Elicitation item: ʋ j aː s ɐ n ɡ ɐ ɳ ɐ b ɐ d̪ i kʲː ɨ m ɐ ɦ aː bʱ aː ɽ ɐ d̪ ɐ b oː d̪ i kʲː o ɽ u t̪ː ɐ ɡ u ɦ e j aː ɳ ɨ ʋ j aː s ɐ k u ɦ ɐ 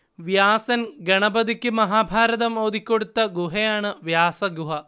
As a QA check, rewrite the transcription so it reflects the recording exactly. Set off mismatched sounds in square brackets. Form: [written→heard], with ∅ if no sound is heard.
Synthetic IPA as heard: ʋ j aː s ɐ n ɡ ɐ ɳ ɐ b ɐ d̪ i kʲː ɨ m ɐ ɦ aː bʱ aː [ɽ→ɾ] ɐ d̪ ɐ [b→m] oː d̪ i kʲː o ɽ u t̪ː ɐ ɡ u ɦ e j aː ɳ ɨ ʋ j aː s ɐ [k→ɡ] u ɦ ɐ